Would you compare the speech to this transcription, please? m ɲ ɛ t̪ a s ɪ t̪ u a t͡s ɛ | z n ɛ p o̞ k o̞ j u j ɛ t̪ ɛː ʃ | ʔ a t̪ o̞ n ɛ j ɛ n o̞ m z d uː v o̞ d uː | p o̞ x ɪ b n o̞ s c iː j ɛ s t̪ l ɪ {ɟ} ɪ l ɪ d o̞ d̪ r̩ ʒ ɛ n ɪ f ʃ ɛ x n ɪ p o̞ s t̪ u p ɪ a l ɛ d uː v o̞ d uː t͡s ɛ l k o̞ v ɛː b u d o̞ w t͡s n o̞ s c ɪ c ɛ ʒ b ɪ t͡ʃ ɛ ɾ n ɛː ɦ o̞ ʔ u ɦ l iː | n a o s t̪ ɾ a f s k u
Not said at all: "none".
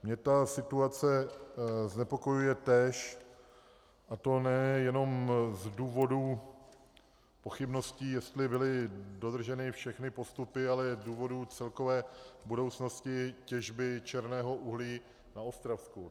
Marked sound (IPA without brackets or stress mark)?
b